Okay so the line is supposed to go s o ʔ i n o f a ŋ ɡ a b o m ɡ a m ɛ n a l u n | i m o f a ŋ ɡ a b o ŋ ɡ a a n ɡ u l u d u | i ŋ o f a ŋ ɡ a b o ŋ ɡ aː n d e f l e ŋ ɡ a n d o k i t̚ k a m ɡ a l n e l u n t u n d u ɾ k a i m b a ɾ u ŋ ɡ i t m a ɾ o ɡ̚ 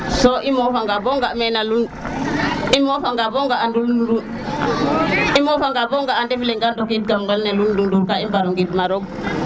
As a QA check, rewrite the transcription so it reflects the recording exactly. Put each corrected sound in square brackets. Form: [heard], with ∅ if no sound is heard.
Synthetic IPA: s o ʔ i [m] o f a ŋ ɡ a b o [ŋ] ɡ a m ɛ n a l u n | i m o f a ŋ ɡ a b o ŋ ɡ a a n [d] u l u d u | i [m] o f a ŋ ɡ a b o ŋ ɡ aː n d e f l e ŋ ɡ a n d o k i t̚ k a m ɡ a l n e l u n [d] u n d u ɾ k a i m b a ɾ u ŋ ɡ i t m a ɾ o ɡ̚

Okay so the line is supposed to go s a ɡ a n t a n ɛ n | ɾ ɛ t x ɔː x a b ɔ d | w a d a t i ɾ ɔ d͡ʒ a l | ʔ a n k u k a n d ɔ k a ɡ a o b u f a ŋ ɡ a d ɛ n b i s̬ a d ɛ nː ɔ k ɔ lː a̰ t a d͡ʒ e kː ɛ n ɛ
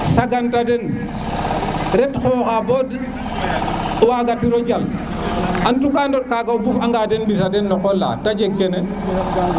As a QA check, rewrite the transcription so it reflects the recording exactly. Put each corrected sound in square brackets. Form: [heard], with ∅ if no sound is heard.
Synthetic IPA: s a ɡ a n t a [d] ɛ n | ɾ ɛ t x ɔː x a b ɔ d | w a [ɡ] a t i ɾ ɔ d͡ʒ a l | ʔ a n [t] u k a n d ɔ k a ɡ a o b u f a ŋ ɡ a d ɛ n b i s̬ a d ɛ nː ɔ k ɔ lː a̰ t a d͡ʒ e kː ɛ n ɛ

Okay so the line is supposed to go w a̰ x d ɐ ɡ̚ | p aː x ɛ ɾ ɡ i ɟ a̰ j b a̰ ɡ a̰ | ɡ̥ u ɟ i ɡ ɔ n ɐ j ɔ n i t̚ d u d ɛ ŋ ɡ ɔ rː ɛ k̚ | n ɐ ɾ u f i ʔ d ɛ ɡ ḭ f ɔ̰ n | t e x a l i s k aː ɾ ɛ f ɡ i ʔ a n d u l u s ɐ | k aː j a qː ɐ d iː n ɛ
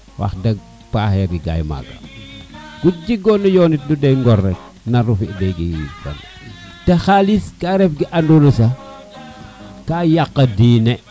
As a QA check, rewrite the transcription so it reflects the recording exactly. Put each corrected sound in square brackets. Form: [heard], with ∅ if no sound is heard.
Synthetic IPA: w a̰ x d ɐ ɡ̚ | p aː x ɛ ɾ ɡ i [ɡ] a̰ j [m] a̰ ɡ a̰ | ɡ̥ u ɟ i ɡ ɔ n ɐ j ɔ n i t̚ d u d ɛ ŋ ɡ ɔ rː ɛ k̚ | n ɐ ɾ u f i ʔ d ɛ ɡ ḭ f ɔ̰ n | t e x a l i s k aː ɾ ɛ f ɡ i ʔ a n d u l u s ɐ | k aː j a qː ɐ d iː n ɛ

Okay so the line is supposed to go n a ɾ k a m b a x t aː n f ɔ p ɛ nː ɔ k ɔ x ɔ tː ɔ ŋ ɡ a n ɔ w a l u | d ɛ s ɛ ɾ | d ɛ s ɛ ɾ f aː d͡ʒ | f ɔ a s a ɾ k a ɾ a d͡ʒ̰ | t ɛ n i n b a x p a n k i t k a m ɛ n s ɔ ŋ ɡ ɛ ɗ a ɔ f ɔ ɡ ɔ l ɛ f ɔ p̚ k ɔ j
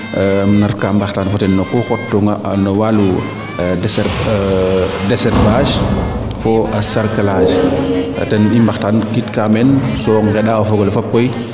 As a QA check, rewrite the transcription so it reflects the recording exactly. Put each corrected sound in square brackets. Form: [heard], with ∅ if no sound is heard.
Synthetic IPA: n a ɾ k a m b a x t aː n f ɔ [t] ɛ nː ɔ k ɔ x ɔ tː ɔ ŋ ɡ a n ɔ w a l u | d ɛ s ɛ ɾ | d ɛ s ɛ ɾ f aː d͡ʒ | f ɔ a s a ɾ k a [l] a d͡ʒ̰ | t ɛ n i [m] b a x [t] a n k i t k a m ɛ n s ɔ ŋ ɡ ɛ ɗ a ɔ f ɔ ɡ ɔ l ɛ f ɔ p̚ k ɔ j

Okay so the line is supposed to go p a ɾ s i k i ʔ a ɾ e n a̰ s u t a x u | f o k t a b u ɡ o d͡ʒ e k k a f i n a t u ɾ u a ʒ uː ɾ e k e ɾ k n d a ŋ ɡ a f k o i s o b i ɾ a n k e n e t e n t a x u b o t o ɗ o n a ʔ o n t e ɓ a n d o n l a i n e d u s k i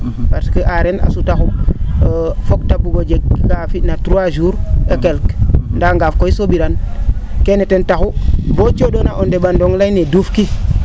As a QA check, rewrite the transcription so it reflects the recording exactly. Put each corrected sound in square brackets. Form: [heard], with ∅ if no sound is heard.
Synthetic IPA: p a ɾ s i k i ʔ a ɾ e n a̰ s u t a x u | f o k t a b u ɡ o d͡ʒ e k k a f i n a t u ɾ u a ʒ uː ɾ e k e [l] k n d a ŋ ɡ a f k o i s o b i ɾ a n k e n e t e n t a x u b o [t͡ʃ] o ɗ o n a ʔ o n [d] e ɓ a n d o [ŋ] l a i n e d u [f] k i

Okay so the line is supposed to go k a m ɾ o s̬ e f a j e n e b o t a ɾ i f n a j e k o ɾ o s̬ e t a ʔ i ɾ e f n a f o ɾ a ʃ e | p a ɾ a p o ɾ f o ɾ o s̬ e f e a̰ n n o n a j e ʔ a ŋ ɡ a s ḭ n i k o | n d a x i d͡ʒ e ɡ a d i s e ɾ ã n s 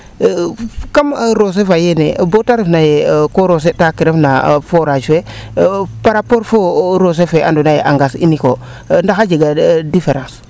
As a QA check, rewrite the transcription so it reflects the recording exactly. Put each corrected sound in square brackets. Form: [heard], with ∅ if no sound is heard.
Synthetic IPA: k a m ɾ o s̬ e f a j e n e b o t a ɾ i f n a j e k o ɾ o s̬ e t a [k] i ɾ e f n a f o ɾ a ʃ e | p a ɾ a p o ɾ f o ɾ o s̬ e f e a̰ n [d] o n a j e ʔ a ŋ ɡ a s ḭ n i k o | n d a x [a] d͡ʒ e ɡ a d i [f] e ɾ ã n s

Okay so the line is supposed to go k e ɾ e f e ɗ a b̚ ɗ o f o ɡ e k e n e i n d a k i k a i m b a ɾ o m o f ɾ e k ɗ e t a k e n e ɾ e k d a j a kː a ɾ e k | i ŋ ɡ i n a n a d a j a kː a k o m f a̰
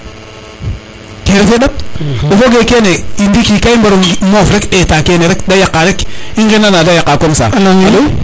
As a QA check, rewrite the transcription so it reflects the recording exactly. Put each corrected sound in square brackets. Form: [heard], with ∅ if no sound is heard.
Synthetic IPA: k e ɾ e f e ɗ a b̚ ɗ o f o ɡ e k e n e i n d [i] k i k a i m b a ɾ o m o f ɾ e k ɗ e t a k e n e ɾ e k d a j a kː a ɾ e k | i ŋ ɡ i n a n a d a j a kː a k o m [s] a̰

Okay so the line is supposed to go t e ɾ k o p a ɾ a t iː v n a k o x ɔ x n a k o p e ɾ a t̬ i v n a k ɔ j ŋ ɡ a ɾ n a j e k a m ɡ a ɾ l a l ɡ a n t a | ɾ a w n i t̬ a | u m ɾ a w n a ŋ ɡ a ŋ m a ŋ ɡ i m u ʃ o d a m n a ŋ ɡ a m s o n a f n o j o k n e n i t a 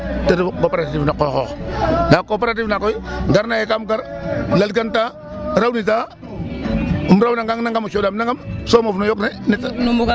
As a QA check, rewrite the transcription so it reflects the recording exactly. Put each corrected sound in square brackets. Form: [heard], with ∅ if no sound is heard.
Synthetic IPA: t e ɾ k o p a ɾ a t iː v n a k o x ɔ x n a k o p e ɾ a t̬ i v n a k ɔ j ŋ ɡ a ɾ n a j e k a m ɡ a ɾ l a l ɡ a n t a | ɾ a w n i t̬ a | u m ɾ a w n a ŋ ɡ a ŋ [n] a ŋ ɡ [a] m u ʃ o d a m n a ŋ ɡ a m s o [m] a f n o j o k n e n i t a

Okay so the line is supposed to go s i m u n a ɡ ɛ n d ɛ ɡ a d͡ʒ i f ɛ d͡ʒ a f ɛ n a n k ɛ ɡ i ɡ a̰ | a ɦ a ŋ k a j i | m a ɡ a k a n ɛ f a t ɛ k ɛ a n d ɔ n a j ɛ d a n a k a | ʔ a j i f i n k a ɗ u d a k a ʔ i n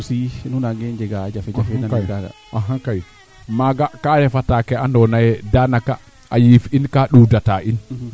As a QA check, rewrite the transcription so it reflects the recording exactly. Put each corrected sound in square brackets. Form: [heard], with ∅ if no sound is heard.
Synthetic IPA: s i [n] u n a ɡ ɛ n [d͡ʒ] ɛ ɡ a d͡ʒ [a] f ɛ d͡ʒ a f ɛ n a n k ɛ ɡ [a] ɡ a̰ | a ɦ a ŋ k a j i | m a ɡ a k a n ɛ f a t [a] k ɛ a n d ɔ n a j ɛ d a n a k a | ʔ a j i f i n k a ɗ u d a [t] a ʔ i n

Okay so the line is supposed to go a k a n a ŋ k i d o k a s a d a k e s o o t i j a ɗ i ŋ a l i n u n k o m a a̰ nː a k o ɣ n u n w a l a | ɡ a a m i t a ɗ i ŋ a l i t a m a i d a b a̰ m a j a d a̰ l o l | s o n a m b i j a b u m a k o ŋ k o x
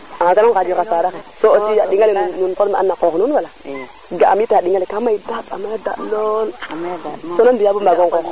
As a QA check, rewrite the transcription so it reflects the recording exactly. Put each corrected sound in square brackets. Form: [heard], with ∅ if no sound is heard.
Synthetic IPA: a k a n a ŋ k [a] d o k a s a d a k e s o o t i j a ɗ i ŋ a l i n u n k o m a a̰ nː a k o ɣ n u n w a l a | ɡ a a m i t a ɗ i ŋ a l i [k] a m a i d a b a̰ m a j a d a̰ l o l | s o n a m b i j a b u m a [ɡ] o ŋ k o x

